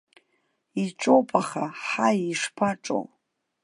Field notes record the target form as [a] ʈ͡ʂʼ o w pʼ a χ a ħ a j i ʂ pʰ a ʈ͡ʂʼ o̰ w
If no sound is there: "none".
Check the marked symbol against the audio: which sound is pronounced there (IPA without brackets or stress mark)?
i